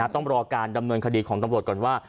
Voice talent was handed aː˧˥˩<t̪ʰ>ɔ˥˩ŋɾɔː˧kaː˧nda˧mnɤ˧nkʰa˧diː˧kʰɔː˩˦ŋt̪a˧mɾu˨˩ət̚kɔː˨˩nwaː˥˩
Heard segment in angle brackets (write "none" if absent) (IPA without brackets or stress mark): t̪